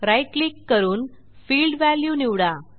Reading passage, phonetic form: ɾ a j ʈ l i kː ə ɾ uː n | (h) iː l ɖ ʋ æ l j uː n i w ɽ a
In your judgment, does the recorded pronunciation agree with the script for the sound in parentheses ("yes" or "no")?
no